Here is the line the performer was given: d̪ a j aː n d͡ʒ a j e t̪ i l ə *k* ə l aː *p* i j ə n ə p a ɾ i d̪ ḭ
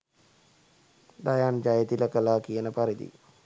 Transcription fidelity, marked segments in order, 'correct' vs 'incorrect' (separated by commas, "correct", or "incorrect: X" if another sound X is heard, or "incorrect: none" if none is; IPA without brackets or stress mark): correct, incorrect: k